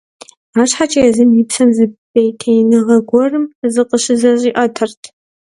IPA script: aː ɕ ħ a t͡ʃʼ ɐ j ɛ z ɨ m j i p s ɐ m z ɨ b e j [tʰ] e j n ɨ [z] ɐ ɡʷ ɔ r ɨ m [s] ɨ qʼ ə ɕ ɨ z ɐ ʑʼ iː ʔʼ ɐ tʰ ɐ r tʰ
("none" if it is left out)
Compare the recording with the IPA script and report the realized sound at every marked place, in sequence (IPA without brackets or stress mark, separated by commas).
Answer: tʰ, ʁ, z